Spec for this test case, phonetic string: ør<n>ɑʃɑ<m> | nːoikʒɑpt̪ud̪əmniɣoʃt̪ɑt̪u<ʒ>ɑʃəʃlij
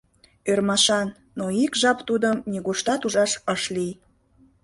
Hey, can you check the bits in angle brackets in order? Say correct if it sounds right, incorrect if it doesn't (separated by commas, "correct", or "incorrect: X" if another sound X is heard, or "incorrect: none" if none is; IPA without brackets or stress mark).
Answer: incorrect: m, incorrect: n, correct